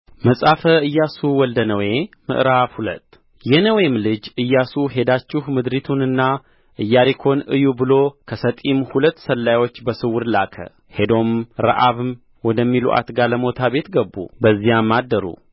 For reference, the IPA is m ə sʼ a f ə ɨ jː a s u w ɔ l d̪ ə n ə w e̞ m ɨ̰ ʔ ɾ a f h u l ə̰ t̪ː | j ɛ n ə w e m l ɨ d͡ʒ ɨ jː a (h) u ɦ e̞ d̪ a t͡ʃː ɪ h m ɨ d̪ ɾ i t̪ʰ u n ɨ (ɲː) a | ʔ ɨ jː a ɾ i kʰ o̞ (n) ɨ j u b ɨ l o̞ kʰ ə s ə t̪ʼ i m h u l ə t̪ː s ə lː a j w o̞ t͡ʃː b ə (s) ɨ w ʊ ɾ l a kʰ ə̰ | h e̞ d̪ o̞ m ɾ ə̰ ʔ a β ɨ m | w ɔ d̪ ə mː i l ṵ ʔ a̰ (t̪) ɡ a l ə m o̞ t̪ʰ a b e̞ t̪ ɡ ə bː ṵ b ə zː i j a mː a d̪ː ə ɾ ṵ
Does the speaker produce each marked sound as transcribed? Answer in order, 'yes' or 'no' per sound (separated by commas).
no, no, yes, yes, yes